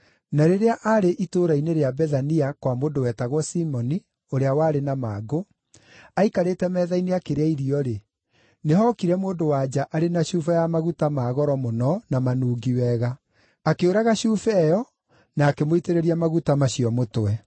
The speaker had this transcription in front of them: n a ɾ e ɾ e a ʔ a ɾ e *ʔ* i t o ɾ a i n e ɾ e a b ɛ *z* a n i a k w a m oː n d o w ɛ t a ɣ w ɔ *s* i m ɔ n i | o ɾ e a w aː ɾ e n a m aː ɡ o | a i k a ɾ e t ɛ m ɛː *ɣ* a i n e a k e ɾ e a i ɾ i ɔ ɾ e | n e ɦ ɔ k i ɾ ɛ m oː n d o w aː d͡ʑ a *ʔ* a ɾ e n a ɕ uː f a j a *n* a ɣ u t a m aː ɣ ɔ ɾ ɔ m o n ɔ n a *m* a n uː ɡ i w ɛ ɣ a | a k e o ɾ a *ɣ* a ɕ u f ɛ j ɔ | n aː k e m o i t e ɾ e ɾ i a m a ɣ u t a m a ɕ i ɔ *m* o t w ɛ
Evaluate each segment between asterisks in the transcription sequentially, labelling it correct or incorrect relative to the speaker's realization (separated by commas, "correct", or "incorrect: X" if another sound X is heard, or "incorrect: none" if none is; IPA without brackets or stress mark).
correct, incorrect: ð, correct, incorrect: ð, correct, incorrect: m, correct, correct, correct